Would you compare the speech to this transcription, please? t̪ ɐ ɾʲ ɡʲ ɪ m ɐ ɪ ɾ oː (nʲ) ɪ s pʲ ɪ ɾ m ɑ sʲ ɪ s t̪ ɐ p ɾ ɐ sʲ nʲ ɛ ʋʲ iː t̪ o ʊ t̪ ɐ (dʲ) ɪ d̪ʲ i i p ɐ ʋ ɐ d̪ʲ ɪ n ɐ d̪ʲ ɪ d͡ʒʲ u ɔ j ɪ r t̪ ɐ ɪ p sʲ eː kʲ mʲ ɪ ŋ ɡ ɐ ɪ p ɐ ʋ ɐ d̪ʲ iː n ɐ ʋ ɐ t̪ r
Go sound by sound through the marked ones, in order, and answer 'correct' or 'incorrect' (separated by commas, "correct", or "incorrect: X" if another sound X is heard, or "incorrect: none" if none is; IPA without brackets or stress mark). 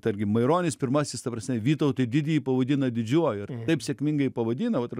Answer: correct, correct